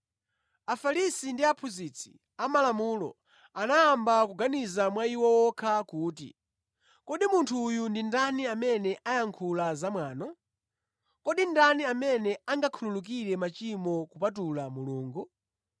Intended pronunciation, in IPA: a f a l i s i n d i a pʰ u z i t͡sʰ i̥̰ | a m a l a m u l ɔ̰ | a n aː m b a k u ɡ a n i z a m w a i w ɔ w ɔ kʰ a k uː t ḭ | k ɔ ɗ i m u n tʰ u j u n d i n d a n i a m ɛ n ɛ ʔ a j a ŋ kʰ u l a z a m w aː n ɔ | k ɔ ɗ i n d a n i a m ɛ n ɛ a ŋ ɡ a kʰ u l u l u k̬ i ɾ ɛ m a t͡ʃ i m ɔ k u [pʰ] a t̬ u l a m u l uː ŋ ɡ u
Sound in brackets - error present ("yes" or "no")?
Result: yes